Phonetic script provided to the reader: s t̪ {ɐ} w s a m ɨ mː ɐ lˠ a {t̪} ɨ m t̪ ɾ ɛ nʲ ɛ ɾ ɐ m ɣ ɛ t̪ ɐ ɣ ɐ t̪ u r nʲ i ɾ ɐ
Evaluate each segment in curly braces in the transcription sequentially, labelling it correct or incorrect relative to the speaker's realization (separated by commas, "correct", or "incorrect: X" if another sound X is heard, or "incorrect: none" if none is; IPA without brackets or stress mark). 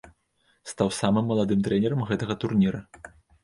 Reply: incorrect: a, incorrect: d̪